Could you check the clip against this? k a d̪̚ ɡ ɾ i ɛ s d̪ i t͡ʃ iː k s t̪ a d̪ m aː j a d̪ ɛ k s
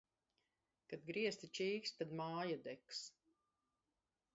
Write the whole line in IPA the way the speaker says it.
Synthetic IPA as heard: k a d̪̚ ɡ ɾ i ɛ s t̪ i t͡ʃ iː k s t̪ a d̪ m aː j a d̪ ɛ k s